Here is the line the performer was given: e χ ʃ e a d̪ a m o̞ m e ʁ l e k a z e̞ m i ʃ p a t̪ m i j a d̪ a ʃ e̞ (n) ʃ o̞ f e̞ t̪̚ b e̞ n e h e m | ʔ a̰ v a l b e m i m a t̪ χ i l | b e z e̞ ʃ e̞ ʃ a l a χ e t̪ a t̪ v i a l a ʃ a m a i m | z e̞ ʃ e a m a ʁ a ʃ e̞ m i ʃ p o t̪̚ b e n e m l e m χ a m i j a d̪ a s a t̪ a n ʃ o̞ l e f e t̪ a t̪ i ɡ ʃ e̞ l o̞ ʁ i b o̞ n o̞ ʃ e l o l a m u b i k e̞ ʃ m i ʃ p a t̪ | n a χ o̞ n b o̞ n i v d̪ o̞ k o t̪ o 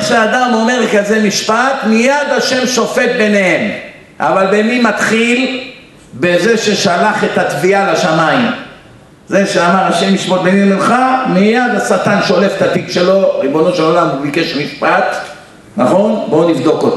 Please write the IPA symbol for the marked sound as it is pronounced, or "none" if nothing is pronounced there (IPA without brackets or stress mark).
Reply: m